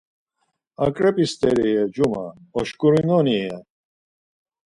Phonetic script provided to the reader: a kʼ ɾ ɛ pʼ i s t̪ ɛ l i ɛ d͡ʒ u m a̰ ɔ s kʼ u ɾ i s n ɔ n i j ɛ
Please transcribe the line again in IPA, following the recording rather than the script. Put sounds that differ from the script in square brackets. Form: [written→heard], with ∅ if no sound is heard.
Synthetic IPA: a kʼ ɾ ɛ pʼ i s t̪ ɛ [l→ɾ] i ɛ d͡ʒ u m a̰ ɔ [s→ʃ] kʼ u ɾ i [s→∅] n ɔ n i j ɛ